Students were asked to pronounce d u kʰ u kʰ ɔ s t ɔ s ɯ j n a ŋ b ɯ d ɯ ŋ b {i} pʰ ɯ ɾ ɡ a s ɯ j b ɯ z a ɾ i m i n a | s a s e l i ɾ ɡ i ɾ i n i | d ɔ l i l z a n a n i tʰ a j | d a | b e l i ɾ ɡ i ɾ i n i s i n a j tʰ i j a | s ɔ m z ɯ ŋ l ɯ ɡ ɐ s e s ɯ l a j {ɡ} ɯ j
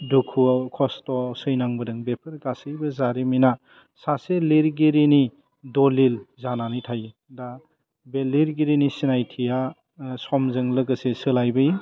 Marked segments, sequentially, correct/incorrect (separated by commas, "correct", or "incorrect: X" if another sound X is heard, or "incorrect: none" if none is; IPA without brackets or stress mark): incorrect: e, incorrect: b